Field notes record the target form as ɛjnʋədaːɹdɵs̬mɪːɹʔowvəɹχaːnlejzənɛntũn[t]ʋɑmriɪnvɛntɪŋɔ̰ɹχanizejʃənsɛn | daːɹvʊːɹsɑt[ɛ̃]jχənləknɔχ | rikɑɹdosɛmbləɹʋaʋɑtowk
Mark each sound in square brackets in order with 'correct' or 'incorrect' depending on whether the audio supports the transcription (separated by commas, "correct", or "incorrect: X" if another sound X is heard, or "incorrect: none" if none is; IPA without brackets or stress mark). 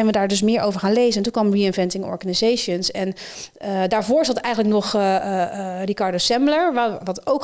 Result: incorrect: k, incorrect: ɛ